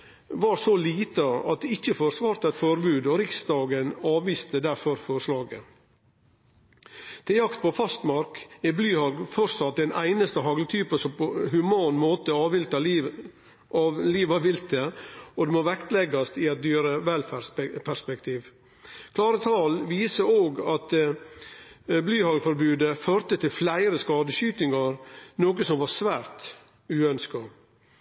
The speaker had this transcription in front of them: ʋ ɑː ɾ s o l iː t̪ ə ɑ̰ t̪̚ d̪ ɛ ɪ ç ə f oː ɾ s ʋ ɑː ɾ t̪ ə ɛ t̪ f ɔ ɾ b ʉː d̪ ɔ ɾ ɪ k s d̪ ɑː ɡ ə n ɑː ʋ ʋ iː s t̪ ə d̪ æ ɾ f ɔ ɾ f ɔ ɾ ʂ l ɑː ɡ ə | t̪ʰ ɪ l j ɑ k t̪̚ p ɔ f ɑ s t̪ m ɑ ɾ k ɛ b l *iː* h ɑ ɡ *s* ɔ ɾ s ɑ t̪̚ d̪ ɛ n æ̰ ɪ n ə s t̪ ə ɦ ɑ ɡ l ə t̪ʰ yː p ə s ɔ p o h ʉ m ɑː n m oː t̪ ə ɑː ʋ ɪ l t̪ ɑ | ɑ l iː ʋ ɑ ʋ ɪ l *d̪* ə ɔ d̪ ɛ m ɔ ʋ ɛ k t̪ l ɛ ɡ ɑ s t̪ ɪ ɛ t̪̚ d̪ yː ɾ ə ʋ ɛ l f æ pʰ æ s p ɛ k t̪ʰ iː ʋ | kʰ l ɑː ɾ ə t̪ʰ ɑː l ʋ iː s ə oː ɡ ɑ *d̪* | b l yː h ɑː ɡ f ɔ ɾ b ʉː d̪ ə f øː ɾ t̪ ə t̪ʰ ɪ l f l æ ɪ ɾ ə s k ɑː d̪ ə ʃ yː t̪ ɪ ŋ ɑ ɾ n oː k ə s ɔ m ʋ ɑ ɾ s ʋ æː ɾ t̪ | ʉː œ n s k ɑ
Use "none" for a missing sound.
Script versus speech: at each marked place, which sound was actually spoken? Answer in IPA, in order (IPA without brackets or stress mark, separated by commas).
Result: yː, f, t̪, t̪